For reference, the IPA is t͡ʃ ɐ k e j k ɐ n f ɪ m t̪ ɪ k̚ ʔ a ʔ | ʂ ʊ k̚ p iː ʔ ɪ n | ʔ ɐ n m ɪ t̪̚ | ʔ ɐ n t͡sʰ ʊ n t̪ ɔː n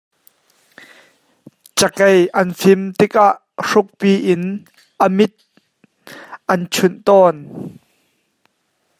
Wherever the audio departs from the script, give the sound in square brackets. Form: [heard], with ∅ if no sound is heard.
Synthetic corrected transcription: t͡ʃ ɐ k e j [ʔ] ɐ n f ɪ m t̪ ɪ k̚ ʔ a ʔ | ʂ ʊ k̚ p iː ʔ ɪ n | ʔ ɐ [∅] m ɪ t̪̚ | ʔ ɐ n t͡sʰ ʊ n t̪ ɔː n